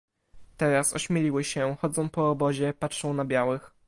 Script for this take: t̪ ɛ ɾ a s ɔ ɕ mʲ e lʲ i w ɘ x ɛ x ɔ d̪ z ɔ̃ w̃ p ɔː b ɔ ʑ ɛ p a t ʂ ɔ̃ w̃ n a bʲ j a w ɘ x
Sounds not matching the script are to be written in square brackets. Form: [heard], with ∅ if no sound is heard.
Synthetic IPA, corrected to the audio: t̪ ɛ ɾ a s ɔ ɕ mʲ e lʲ i w ɘ [ɕ] ɛ x ɔ d̪ z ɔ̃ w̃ p ɔː b ɔ ʑ ɛ p a t ʂ ɔ̃ w̃ n a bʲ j a w ɘ x